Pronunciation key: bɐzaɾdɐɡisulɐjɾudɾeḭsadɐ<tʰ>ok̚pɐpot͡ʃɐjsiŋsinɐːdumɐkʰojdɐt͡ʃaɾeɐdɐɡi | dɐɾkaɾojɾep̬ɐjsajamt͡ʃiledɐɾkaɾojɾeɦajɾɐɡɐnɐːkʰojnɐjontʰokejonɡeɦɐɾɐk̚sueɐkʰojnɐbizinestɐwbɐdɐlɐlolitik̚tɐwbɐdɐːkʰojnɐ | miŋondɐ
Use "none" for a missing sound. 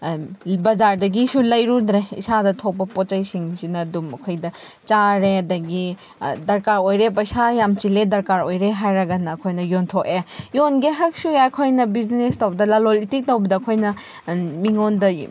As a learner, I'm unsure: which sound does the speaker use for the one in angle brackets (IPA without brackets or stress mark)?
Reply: tʰ